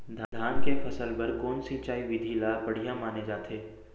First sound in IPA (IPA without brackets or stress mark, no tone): d̪ʱ